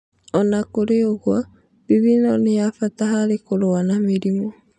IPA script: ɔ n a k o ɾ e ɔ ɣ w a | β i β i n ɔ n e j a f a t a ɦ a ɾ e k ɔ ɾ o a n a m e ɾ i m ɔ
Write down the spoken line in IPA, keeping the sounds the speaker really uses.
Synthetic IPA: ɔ n a k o ɾ e o ɣ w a | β i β i n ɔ n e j a f a t a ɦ a ɾ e k o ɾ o a n a m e ɾ i m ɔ